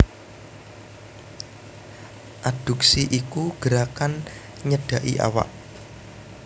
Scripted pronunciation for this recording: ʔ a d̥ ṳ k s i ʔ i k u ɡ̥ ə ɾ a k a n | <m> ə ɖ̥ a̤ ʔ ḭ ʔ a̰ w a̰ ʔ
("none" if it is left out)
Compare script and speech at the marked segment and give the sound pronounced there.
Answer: ɲ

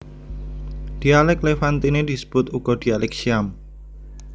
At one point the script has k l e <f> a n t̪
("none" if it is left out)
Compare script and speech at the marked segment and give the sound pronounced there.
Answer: f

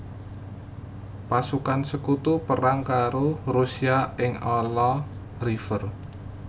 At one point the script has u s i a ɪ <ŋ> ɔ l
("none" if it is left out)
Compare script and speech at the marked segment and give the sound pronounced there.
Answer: ŋ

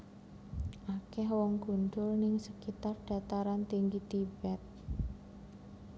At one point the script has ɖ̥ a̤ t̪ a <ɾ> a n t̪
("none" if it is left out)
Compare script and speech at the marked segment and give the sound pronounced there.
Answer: ɾ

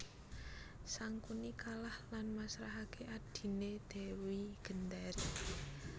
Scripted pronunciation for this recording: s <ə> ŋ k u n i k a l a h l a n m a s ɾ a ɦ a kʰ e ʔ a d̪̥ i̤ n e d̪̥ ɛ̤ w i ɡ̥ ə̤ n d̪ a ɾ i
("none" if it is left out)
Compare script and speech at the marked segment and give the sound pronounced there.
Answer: a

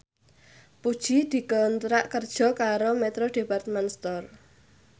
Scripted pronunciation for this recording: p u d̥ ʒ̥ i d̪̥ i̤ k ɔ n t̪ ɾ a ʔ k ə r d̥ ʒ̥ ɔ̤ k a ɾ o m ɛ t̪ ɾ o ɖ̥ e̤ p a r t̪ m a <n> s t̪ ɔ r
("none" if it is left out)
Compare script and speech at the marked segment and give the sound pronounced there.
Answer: n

